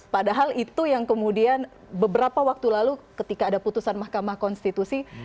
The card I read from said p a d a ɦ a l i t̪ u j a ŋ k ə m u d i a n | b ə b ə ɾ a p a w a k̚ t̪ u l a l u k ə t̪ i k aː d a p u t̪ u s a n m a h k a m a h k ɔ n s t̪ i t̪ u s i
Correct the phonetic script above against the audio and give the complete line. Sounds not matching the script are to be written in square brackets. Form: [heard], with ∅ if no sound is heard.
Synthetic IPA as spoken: p a d a ɦ a l i t̪ u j a ŋ k ə m u d i a n | b ə b ə ɾ a p a w a k̚ t̪ u l a l u k ə t̪ i k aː d a p u t̪ u s a n m a h k a m a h k ɔ n s t̪ i t̪ u s i